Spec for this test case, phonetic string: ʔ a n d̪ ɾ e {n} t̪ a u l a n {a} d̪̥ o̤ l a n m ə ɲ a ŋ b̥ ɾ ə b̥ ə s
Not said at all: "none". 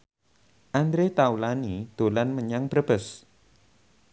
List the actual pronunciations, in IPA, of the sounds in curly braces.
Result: none, i

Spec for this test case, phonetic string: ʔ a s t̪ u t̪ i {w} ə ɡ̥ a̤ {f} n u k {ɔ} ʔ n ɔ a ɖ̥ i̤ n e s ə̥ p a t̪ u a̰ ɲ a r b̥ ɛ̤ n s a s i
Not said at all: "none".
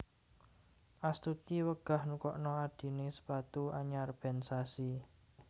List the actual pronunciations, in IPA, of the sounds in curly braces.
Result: w, h, ɔ

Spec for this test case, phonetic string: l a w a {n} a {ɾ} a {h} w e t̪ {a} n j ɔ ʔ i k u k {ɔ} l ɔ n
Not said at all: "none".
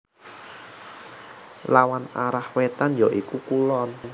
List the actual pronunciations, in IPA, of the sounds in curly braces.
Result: n, ɾ, h, a, u

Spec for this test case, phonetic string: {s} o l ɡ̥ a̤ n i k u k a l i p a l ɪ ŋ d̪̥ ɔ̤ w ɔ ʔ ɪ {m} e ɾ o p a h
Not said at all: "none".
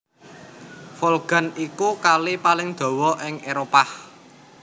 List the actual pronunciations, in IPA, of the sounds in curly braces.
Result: f, ŋ

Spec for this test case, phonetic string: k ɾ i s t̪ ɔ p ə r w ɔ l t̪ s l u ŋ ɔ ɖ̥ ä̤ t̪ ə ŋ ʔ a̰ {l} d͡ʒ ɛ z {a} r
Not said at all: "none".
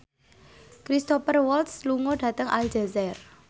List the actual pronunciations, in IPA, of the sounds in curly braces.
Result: l, ɛ

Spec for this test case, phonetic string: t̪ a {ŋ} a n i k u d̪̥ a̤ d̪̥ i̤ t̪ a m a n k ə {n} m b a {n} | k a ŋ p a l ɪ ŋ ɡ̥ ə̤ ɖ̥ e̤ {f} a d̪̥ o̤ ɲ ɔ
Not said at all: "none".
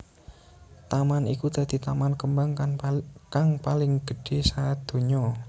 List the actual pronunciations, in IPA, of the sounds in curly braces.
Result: m, none, ŋ, s

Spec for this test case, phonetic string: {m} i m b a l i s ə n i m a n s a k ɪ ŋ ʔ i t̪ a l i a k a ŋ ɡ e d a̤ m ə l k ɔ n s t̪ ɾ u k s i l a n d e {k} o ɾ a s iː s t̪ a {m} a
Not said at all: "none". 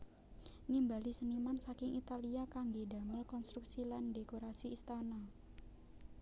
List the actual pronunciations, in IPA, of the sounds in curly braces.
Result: n, k, n

